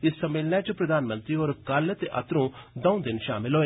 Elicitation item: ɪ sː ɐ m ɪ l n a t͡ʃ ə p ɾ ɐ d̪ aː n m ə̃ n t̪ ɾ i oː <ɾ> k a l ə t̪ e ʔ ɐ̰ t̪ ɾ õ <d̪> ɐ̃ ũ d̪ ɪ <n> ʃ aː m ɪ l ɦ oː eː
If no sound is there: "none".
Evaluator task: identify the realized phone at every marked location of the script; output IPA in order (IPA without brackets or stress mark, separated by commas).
ɾ, d̪, n